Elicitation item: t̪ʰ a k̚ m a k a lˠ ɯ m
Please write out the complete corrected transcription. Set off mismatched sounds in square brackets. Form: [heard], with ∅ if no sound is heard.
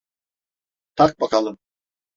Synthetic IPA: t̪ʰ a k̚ [b] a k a lˠ ɯ m